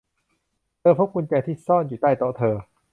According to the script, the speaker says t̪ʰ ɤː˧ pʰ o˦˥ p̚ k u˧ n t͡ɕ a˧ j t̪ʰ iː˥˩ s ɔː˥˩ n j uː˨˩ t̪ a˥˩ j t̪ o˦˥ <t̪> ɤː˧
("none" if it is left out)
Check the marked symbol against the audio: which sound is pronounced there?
t̪ʰ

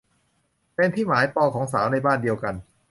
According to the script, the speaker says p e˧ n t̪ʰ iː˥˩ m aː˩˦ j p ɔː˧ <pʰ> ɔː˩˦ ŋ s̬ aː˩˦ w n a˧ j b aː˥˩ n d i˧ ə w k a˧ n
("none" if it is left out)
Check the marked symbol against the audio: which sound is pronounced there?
kʰ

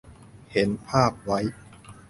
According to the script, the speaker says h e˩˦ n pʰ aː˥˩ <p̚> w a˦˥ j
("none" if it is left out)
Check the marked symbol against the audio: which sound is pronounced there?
p̚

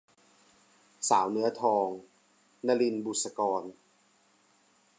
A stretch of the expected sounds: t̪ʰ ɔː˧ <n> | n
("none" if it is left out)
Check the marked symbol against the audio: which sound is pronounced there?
ŋ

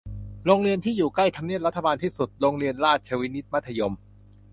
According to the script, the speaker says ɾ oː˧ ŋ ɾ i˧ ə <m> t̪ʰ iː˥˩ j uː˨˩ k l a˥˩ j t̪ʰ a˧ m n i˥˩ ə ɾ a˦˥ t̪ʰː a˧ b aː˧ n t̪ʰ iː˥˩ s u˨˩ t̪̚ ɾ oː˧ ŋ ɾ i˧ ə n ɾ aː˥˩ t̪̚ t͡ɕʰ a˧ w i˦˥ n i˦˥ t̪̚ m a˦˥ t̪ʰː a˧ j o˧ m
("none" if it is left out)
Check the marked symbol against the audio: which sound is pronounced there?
n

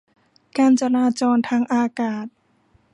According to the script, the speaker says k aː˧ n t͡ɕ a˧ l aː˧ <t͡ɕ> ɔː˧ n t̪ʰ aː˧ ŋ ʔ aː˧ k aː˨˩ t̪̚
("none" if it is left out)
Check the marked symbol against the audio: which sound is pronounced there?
t͡ɕ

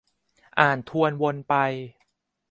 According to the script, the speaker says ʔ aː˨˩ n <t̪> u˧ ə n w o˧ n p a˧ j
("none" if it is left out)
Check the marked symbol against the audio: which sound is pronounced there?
t̪ʰ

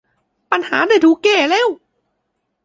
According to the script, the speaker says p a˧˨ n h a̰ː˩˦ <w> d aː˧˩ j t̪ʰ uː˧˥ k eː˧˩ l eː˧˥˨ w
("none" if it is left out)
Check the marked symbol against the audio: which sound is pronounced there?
none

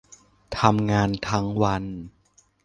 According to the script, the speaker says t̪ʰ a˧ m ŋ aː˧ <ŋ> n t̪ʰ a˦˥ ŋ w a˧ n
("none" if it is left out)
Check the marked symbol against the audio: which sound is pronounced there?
none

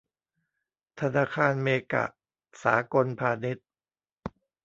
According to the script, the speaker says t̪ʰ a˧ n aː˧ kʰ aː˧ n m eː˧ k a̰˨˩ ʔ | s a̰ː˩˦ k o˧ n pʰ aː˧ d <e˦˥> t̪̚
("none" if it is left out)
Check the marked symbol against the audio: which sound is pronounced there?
e˦˥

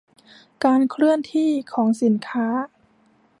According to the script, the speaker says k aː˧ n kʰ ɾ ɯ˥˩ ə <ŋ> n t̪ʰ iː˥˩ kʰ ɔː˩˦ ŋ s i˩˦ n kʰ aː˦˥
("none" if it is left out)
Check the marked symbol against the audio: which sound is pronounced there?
none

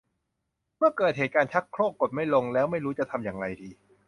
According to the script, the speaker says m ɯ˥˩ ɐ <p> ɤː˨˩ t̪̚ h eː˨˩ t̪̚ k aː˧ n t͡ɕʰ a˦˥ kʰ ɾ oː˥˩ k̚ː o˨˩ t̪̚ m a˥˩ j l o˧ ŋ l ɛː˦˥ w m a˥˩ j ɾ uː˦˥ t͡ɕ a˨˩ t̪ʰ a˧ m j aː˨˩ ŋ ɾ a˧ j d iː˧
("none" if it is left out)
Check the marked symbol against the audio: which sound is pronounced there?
k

